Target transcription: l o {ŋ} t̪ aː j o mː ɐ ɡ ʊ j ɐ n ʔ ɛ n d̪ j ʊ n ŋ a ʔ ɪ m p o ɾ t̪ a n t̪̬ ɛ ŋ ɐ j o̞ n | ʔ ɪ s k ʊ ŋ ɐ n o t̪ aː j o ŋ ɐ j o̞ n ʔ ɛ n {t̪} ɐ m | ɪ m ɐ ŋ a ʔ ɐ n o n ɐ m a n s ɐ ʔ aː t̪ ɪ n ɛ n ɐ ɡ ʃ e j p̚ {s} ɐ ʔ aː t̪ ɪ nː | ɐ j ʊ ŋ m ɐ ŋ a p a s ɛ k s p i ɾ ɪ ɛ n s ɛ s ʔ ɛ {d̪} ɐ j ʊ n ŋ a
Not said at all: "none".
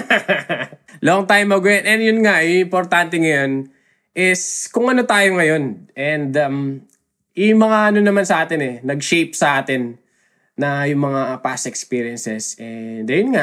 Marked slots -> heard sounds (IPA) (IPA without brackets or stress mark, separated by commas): ŋ, d̪, s, d̪